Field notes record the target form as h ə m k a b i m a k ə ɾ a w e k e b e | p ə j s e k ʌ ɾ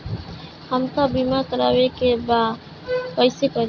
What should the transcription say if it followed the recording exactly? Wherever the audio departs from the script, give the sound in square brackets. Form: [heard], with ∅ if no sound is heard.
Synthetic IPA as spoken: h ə m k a b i m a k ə ɾ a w e k e b [a] | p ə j s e k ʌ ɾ